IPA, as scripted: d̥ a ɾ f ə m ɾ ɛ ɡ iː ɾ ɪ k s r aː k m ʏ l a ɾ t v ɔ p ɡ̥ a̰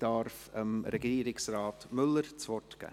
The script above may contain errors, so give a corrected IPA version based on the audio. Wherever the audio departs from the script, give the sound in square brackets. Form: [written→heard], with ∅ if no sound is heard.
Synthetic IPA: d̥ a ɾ f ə m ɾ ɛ ɡ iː ɾ ɪ k s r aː [k→t] m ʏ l [a→ə] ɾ [t→t͡s] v ɔ [p→t] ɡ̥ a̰